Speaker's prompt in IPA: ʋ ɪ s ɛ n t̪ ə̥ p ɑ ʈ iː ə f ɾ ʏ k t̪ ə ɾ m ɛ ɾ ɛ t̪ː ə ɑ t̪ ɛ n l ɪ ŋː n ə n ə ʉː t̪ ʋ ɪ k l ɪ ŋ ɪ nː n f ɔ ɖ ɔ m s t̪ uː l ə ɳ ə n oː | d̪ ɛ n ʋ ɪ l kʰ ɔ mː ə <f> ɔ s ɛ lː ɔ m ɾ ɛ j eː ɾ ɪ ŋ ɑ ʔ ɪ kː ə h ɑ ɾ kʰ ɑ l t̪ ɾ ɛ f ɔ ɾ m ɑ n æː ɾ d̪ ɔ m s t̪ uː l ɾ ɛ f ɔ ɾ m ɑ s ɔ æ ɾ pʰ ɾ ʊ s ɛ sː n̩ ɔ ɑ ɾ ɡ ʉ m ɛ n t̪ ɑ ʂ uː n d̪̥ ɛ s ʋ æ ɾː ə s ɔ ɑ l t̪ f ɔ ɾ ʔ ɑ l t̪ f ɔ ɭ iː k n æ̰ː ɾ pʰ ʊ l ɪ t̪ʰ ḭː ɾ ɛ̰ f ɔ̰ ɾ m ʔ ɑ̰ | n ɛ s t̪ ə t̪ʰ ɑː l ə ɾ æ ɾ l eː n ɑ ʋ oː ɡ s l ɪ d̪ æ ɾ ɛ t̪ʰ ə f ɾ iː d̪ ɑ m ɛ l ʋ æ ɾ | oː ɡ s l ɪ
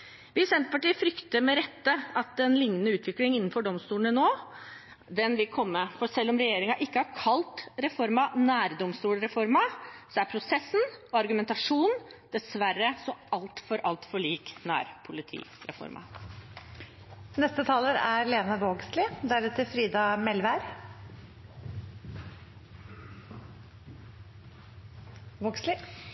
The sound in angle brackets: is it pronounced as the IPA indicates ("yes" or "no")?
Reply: yes